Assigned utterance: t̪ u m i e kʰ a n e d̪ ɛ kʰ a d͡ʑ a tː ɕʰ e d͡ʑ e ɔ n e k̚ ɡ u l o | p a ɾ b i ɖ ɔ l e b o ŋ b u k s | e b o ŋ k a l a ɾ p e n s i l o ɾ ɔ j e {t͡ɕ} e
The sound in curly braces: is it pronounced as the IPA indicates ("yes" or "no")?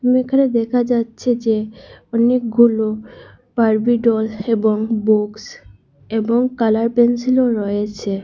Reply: no